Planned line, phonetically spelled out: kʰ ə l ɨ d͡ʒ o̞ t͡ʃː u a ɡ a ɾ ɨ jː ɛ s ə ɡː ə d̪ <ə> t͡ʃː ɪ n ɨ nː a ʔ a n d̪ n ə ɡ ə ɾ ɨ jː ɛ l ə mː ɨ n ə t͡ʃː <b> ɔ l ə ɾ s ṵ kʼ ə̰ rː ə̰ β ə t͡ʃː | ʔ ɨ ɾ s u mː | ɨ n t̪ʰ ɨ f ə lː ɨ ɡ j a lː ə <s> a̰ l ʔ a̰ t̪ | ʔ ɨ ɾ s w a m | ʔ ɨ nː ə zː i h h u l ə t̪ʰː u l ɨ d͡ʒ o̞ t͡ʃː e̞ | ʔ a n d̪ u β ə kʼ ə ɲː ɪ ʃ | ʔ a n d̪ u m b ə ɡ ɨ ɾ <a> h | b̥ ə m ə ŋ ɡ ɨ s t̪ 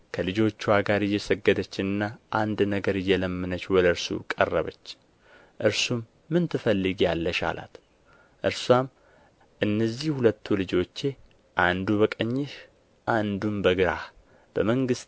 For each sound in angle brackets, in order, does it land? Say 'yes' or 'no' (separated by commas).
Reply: yes, no, no, yes